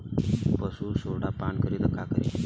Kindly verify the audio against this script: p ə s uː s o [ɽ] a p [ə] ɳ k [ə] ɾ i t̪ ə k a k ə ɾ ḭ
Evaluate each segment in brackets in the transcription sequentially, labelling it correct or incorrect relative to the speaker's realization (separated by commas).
correct, incorrect, correct